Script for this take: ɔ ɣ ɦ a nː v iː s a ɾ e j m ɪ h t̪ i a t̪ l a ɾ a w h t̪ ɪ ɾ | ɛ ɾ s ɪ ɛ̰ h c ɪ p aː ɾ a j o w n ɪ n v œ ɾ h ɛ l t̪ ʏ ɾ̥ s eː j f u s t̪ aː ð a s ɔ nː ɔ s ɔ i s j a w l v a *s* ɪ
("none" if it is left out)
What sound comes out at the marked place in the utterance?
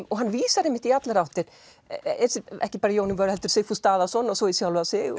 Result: s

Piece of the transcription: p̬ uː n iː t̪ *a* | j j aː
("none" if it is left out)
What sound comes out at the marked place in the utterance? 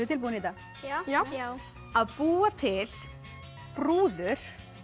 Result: a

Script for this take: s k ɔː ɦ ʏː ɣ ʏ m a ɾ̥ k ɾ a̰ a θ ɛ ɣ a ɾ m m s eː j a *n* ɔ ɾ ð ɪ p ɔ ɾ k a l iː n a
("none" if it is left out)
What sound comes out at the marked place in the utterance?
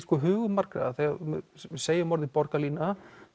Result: m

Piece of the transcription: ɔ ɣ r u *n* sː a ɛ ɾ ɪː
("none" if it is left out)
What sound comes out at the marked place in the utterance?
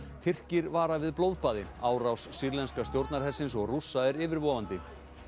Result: none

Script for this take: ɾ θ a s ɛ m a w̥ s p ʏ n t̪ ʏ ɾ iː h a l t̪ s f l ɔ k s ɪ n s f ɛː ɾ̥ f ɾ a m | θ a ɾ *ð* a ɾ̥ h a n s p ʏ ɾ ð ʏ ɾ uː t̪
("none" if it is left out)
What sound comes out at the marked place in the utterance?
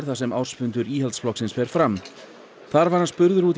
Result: v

